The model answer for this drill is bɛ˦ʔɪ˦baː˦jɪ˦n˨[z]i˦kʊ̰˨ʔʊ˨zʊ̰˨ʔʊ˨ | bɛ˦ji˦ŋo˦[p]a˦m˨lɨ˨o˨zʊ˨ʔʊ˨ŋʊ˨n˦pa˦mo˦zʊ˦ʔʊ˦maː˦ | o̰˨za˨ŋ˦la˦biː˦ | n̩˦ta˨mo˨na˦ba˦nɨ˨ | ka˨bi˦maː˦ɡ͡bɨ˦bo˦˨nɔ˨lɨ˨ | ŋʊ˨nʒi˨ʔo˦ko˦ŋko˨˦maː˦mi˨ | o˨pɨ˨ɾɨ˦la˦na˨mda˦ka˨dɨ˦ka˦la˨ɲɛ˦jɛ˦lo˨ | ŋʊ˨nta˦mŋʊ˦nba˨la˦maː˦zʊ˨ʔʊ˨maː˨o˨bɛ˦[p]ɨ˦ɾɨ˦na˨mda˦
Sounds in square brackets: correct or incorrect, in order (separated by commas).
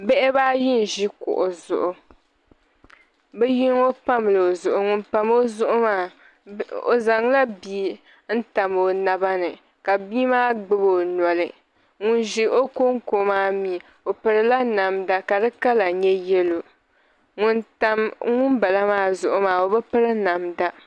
incorrect, correct, correct